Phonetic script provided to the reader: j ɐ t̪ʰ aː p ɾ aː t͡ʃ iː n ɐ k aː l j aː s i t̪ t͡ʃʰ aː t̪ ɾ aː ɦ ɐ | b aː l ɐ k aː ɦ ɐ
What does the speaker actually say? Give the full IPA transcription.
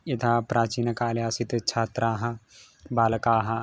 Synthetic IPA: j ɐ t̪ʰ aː p ɾ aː t͡ʃ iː n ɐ k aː l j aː s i t̪ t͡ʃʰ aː t̪ ɾ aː ɦ ɐ | b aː l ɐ k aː ɦ ɐ